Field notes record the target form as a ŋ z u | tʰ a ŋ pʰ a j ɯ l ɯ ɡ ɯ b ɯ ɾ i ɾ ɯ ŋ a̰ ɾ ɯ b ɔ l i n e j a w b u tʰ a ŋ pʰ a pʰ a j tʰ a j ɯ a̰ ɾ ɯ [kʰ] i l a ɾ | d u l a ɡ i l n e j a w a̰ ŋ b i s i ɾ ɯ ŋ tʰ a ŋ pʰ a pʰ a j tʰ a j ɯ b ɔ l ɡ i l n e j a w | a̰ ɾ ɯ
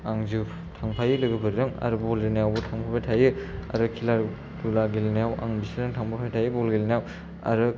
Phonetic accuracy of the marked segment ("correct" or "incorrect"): correct